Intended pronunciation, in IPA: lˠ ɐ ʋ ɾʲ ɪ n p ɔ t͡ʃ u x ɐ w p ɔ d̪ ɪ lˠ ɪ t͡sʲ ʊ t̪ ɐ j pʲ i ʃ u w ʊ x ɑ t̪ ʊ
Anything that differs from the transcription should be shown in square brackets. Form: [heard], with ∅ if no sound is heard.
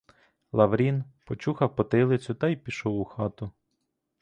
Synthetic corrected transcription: lˠ ɐ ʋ ɾʲ [i] n p ɔ t͡ʃ u x ɐ w p ɔ [t̪] ɪ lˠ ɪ t͡sʲ ʊ t̪ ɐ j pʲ i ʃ [ɔ] w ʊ x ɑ t̪ ʊ